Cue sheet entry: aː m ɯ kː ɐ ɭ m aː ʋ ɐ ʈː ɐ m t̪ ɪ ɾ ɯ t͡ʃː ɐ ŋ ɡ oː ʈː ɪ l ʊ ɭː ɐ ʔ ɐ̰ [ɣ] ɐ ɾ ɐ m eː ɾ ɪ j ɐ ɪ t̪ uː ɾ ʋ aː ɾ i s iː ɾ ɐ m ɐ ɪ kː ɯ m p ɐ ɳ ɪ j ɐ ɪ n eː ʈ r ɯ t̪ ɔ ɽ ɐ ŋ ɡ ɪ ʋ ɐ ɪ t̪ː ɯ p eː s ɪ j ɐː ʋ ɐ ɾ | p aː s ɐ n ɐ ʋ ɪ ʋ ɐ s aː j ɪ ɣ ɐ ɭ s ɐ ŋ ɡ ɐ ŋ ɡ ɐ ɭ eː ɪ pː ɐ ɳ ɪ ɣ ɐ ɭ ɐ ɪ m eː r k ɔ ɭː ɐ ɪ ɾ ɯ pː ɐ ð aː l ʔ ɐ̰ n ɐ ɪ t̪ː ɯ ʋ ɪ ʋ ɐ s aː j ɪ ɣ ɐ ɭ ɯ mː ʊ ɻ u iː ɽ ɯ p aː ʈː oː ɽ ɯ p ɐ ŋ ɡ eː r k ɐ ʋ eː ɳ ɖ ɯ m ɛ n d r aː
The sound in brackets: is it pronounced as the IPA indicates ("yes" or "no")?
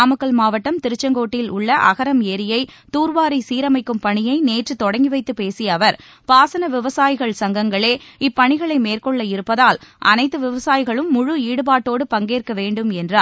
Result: yes